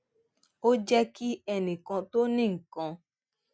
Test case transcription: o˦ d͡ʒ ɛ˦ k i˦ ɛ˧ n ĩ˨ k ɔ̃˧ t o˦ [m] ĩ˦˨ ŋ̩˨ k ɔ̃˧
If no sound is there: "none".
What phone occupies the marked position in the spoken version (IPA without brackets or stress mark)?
n